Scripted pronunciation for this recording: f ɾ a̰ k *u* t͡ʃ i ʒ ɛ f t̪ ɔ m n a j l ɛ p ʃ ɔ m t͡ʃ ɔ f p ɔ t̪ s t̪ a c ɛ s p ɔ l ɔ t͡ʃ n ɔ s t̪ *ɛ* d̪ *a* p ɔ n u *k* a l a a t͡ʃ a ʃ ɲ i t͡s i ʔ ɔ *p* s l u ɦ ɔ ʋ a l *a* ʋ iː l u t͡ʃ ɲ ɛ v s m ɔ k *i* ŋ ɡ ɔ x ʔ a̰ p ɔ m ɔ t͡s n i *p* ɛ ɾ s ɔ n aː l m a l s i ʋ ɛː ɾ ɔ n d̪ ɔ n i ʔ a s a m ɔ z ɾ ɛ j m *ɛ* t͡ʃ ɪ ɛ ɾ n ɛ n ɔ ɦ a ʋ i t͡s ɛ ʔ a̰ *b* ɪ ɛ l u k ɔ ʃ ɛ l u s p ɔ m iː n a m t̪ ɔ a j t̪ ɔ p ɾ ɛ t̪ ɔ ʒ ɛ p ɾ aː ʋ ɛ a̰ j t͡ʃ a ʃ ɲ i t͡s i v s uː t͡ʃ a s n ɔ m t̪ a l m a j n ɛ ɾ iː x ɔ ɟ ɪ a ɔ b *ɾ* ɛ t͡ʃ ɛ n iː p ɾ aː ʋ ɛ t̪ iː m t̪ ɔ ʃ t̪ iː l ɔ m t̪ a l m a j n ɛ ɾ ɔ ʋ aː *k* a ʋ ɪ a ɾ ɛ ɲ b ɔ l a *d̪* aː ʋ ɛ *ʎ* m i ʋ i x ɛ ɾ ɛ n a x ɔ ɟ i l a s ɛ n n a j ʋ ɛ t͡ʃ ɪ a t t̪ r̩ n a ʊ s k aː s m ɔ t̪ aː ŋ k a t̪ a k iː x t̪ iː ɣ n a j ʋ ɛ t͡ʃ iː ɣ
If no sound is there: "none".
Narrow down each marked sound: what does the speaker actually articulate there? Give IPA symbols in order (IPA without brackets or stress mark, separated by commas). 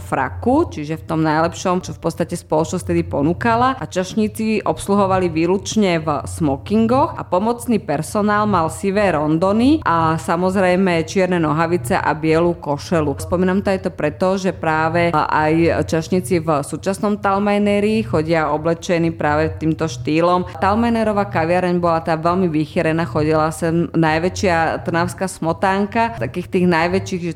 u, ɛ, i, k, p, i, i, p, ɛ, b, l, k, t̪, l